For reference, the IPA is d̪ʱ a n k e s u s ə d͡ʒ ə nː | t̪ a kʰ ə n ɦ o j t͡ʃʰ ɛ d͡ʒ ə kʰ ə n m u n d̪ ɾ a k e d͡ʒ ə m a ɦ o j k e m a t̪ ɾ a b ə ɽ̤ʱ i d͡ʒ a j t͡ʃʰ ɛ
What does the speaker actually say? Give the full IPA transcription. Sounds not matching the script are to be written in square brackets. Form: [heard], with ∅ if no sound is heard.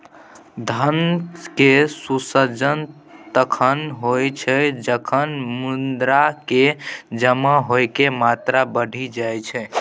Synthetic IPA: d̪ʱ [ə] n k e s u s ə d͡ʒ ə [n] | t̪ [ə] kʰ ə n ɦ o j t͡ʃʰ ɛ d͡ʒ ə kʰ ə n m u n d̪ ɾ a k e d͡ʒ ə m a ɦ o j k e m a t̪ ɾ a b ə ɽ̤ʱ i d͡ʒ a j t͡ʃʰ ɛ